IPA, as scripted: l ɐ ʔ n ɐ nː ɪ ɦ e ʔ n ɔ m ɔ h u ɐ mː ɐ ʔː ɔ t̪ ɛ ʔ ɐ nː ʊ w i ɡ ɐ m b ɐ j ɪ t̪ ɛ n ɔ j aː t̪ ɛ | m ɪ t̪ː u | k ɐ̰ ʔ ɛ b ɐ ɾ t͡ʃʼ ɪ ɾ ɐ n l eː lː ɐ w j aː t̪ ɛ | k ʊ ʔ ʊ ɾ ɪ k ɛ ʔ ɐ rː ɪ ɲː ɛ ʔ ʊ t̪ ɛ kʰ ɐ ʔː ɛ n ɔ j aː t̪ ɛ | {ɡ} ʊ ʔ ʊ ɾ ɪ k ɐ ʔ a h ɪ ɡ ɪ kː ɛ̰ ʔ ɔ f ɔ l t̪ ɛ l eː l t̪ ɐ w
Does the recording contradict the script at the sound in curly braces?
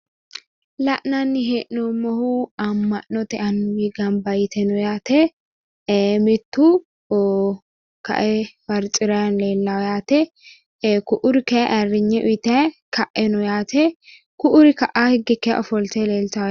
yes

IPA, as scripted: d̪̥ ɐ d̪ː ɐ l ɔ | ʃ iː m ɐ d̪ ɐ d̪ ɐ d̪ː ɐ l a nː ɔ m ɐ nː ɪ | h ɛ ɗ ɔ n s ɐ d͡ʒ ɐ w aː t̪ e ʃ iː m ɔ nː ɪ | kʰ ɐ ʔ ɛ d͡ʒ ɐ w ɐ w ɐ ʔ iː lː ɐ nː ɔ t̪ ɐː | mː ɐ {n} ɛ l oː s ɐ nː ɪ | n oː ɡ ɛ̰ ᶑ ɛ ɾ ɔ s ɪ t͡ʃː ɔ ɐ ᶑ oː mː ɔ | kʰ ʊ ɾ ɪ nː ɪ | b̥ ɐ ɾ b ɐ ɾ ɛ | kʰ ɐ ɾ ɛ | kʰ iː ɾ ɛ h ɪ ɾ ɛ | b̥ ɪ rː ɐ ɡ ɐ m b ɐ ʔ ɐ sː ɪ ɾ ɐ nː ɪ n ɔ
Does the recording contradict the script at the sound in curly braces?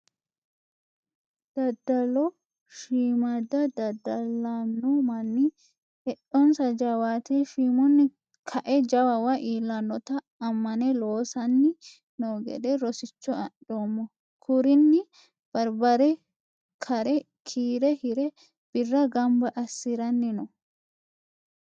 no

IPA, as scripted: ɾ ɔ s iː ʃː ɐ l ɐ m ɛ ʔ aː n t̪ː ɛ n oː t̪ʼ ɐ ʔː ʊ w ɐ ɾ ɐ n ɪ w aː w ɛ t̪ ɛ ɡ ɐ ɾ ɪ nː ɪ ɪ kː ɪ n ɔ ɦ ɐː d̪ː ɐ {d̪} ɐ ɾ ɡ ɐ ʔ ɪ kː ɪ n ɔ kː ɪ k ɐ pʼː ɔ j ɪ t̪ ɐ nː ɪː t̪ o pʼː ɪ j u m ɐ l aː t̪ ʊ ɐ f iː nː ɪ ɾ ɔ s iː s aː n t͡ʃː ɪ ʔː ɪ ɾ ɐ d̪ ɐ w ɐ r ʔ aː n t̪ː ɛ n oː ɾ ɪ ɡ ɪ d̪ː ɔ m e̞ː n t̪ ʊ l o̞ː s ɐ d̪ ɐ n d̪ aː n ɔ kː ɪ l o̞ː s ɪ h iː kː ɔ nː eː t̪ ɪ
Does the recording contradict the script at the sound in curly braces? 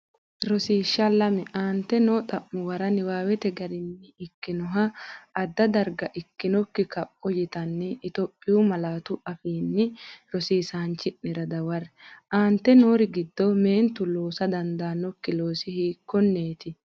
no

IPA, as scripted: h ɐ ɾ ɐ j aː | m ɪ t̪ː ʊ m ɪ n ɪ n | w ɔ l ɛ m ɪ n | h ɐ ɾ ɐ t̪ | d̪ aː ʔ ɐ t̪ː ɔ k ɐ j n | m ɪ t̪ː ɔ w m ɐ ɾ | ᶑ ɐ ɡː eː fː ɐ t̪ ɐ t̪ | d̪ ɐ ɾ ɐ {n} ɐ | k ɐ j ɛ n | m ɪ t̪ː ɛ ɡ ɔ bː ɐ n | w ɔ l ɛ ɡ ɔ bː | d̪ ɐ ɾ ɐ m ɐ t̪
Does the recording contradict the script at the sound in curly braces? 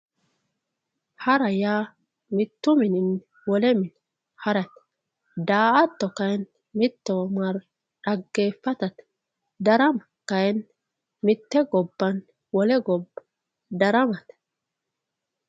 yes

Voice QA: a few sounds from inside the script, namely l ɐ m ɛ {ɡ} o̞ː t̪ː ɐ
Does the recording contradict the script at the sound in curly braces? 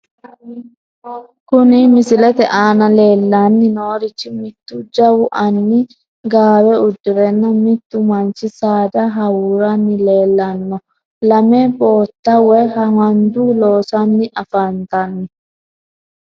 yes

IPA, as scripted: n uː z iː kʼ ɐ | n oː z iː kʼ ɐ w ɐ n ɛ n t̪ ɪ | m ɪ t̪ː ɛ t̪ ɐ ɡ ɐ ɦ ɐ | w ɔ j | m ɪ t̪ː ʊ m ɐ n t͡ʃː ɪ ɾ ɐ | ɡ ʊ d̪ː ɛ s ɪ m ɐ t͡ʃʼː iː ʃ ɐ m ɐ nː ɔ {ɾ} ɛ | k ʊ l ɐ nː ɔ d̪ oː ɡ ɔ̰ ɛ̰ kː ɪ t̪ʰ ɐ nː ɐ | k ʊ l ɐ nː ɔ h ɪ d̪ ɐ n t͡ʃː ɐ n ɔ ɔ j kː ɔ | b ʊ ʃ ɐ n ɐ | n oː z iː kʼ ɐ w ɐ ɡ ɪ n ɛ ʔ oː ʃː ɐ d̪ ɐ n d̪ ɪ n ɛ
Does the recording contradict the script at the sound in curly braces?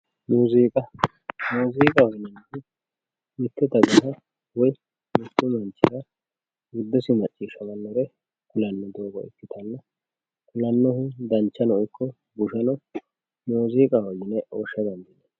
no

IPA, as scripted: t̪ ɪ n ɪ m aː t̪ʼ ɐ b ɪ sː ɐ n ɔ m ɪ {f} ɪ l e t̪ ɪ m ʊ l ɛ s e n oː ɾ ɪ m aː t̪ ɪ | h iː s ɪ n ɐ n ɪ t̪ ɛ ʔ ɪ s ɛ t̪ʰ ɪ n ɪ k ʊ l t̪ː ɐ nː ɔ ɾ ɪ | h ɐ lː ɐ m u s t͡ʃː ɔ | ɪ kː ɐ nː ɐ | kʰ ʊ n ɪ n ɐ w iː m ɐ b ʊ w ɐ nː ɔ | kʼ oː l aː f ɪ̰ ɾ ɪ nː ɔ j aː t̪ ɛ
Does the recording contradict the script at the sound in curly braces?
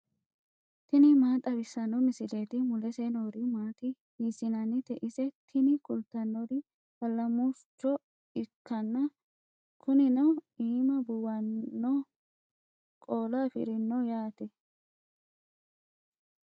yes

